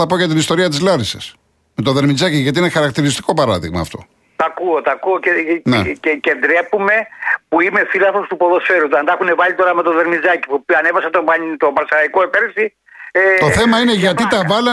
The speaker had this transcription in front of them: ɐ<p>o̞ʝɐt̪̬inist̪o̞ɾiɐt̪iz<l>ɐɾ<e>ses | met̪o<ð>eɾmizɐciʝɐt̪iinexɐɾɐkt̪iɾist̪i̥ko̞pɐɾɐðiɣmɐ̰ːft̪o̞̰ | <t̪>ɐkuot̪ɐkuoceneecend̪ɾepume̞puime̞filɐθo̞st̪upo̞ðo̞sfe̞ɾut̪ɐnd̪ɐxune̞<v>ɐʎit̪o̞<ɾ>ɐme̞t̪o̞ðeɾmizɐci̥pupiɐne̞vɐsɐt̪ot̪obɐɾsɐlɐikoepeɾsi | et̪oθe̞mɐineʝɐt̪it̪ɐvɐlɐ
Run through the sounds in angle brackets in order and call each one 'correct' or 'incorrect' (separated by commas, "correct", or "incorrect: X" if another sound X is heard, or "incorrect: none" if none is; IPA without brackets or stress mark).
correct, correct, incorrect: i, correct, correct, correct, correct